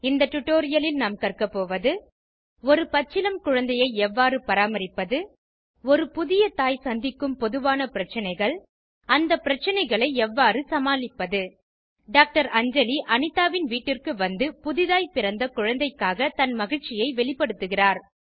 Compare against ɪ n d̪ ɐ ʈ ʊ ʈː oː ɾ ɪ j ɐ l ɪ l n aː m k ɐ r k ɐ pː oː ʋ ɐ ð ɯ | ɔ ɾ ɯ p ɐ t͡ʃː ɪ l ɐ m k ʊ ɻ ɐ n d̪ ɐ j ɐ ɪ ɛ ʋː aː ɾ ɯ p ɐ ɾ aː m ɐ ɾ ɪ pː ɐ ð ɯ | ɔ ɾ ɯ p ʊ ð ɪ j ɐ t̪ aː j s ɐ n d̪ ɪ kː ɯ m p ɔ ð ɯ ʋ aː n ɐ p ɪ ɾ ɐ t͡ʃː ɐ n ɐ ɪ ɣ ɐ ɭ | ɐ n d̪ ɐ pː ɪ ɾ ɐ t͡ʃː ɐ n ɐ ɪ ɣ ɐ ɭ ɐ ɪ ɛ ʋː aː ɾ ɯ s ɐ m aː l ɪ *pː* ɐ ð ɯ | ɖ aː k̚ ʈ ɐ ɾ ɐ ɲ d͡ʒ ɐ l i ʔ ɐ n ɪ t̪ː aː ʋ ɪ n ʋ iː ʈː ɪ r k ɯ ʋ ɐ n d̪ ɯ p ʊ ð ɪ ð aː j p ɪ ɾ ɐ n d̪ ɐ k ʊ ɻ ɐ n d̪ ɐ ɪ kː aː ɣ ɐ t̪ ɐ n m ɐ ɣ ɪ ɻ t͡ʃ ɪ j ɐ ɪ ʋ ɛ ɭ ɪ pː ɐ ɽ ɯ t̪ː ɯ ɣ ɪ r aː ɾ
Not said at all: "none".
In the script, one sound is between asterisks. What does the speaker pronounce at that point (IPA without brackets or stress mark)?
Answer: pː